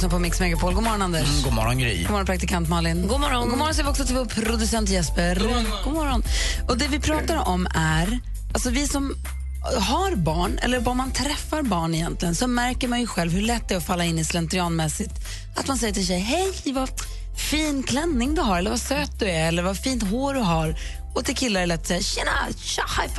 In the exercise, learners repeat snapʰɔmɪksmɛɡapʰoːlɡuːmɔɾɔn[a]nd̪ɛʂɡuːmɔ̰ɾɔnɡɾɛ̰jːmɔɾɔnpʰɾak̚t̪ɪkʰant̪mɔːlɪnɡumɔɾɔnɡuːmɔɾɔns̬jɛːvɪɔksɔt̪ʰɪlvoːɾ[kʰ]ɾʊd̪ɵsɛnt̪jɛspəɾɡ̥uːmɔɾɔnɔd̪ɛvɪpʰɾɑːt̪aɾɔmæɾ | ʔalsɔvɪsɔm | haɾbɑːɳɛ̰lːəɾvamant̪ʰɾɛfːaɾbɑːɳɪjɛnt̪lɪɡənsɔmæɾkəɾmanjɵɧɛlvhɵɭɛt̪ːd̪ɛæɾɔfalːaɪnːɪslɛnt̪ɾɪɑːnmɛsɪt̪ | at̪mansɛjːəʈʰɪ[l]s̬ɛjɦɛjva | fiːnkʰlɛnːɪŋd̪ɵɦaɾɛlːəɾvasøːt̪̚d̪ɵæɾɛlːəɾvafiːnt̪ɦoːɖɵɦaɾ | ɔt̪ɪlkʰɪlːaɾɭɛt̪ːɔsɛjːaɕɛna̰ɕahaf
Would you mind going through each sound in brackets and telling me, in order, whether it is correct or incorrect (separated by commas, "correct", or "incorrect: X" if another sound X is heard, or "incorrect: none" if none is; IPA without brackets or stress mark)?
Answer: correct, incorrect: pʰ, correct